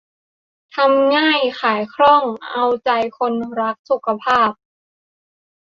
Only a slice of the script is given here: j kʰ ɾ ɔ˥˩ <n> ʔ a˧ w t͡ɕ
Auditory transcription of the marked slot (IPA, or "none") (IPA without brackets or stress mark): ŋ